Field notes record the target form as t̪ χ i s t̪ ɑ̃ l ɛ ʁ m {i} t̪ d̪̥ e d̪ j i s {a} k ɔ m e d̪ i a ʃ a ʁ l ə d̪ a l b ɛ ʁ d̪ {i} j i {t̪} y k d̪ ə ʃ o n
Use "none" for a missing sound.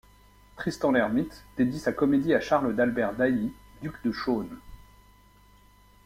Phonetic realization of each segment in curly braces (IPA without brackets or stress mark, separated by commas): i, a, a, d̪